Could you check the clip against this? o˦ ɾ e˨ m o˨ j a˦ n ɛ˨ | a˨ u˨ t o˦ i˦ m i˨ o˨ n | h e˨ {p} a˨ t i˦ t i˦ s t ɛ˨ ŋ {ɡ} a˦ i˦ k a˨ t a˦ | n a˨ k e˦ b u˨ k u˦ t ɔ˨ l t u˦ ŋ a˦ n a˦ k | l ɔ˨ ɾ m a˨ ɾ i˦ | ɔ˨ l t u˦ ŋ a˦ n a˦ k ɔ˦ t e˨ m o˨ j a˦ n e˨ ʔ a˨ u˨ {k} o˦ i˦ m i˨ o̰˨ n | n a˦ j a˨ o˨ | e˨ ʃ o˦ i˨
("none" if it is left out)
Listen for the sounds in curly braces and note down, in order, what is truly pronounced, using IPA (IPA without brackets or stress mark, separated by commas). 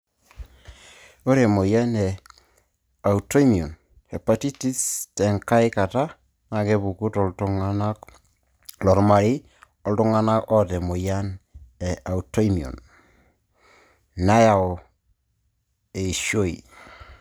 p, k, t